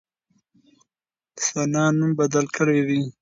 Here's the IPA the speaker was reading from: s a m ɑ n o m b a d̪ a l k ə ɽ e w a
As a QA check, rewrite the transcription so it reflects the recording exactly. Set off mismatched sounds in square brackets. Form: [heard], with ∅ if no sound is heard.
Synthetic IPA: s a [n] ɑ n [u] m b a d̪ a l k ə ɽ e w [i]